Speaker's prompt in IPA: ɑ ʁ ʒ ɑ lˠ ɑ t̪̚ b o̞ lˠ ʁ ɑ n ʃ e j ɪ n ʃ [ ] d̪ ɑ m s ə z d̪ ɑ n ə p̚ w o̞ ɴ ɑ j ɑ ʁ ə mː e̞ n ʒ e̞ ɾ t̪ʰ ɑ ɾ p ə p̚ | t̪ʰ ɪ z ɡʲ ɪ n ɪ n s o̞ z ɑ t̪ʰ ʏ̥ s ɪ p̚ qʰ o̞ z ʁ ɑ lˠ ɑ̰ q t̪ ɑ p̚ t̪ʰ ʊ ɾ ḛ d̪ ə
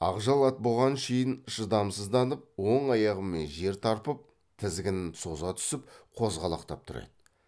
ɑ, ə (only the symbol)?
ə